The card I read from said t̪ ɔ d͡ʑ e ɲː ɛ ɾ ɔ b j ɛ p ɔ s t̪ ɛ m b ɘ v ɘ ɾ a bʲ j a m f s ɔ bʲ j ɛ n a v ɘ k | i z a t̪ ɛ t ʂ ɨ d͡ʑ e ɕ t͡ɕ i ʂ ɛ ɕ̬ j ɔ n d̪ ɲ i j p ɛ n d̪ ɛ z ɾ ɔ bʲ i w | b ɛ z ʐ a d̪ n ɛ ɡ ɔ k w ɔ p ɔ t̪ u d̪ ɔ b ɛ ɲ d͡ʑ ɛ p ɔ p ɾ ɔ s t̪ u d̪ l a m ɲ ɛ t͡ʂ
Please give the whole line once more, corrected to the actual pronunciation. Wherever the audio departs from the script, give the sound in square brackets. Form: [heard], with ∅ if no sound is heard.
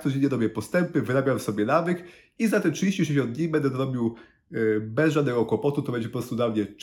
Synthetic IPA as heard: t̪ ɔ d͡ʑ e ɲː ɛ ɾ ɔ b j ɛ p ɔ s t̪ ɛ m [p] ɘ v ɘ ɾ a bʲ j a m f s ɔ bʲ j ɛ n a v ɘ k | i z a t̪ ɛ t ʂ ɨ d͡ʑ e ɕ t͡ɕ i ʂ ɛ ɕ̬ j ɔ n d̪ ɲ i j [b] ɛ n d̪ ɛ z ɾ ɔ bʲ i w | b ɛ z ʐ a d̪ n ɛ ɡ ɔ k w ɔ p ɔ t̪ u [t̪] ɔ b ɛ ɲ d͡ʑ ɛ p ɔ p ɾ ɔ s t̪ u d̪ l a m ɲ ɛ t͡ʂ